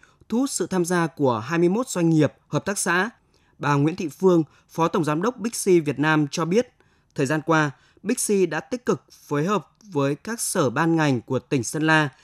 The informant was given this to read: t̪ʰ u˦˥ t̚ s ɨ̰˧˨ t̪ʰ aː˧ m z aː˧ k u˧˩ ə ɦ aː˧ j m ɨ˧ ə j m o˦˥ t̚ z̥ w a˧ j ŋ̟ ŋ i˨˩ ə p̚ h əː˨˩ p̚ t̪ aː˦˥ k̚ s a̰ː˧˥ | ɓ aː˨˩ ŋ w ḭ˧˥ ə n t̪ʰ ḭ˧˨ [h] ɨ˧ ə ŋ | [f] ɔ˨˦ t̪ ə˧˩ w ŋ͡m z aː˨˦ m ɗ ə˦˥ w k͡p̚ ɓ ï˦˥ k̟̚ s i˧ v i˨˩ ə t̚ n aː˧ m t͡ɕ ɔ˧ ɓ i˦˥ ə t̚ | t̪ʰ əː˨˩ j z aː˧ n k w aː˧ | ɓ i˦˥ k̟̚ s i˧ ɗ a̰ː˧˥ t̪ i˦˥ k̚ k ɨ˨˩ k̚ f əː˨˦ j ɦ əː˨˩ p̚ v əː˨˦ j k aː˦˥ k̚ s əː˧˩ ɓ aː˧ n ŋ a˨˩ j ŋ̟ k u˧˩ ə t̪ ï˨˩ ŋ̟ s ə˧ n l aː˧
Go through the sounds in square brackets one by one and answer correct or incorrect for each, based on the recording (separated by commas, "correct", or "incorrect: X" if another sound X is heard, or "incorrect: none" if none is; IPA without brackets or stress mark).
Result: incorrect: f, correct